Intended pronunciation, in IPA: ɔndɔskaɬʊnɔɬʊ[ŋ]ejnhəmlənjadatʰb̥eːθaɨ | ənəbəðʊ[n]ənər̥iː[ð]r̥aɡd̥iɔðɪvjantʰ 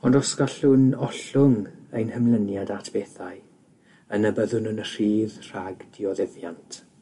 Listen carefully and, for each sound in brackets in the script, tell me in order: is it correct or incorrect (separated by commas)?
correct, correct, correct